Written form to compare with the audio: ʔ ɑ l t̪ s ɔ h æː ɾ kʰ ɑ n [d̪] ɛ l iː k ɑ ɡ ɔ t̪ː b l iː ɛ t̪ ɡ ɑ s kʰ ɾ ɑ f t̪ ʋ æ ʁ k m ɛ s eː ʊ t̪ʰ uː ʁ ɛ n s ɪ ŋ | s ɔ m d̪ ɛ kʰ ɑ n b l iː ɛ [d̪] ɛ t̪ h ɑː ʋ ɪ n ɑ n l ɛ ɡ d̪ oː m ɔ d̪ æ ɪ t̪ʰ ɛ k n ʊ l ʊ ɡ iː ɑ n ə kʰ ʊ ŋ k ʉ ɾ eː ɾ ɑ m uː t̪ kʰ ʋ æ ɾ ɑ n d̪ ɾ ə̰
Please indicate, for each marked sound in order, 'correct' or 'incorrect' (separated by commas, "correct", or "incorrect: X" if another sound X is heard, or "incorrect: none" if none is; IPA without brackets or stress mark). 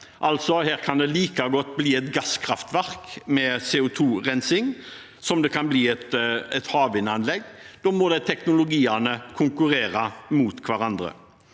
correct, incorrect: t̪